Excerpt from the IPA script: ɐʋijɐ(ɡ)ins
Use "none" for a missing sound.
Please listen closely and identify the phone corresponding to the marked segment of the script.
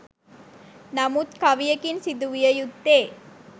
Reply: k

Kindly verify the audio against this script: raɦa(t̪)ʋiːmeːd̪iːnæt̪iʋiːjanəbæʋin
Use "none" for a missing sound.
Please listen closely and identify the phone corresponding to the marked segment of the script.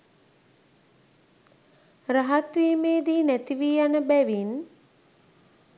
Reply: t̪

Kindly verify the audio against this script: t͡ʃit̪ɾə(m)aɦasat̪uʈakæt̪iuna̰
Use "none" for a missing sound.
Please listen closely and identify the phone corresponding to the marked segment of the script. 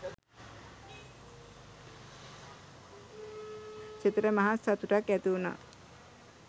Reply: m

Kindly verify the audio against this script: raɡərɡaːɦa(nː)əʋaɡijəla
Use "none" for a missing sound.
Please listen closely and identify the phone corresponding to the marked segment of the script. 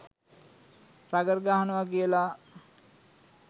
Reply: n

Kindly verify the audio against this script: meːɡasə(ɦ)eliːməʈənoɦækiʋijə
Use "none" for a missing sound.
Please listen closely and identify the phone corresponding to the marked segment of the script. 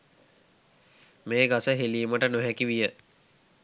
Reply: ɦ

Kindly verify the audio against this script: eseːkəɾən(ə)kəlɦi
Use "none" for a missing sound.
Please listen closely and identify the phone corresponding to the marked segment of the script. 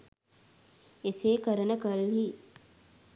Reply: ə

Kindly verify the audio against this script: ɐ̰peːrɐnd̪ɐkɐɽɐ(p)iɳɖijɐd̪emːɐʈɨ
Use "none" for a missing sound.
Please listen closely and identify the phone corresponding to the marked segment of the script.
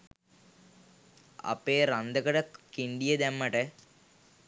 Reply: k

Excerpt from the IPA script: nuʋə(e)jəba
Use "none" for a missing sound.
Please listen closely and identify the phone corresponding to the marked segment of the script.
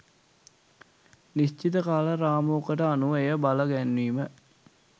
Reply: e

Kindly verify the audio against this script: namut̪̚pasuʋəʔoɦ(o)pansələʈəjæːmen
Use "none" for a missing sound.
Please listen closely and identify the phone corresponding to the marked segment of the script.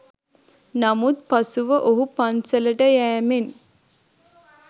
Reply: u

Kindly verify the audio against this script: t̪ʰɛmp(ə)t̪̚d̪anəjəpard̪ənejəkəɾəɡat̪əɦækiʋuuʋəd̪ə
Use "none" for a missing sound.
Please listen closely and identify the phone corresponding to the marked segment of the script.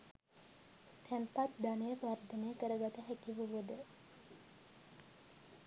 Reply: a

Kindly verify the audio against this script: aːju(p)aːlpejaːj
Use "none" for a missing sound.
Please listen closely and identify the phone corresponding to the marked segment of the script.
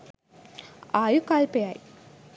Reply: k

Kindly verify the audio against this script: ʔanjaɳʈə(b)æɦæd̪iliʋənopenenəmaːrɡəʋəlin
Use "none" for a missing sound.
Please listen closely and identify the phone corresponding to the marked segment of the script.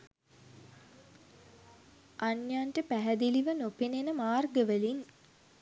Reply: p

